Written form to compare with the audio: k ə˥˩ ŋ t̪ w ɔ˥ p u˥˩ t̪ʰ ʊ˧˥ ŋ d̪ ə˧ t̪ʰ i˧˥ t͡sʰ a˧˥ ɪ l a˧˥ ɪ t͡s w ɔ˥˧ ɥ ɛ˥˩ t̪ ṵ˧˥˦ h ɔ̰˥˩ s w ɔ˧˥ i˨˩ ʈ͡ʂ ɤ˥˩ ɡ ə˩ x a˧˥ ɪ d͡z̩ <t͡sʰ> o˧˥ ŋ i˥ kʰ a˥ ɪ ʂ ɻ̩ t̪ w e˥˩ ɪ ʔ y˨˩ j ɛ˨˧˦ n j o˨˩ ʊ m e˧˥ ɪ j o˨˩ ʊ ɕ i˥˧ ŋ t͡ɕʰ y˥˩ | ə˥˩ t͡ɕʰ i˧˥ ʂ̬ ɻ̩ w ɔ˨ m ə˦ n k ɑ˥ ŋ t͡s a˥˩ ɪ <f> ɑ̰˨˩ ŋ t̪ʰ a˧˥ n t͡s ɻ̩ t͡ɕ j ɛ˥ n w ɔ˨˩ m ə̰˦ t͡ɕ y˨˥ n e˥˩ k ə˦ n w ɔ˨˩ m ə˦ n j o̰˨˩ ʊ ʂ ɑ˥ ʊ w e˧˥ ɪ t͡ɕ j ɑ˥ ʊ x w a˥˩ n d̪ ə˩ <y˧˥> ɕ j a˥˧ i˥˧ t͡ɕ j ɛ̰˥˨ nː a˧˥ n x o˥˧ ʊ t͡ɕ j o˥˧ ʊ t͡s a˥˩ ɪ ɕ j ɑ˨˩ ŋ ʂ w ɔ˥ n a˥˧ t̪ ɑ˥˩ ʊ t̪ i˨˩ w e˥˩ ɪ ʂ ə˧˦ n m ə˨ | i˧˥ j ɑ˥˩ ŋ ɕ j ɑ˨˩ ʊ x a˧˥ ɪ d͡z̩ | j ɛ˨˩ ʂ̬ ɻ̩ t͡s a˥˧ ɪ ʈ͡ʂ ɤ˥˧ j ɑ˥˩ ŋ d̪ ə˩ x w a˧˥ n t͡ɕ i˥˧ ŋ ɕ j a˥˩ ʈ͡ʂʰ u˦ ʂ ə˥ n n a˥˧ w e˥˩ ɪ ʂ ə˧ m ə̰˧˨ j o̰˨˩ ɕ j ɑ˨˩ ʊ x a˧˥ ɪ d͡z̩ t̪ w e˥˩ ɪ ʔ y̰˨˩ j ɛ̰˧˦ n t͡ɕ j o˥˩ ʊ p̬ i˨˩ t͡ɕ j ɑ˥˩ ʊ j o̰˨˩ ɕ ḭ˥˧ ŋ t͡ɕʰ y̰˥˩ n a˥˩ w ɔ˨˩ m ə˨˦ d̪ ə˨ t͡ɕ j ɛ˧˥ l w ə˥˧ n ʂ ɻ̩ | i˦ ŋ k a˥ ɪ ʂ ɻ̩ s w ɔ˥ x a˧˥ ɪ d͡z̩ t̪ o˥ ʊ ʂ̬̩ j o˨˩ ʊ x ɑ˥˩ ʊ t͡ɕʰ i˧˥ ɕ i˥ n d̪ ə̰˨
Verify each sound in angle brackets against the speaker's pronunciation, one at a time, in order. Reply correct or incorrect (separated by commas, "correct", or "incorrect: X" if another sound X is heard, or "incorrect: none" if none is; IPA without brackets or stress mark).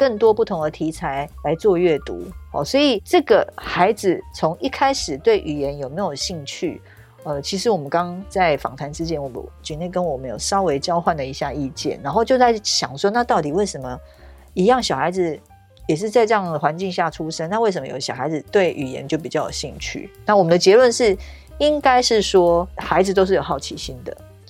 correct, correct, incorrect: i˧˥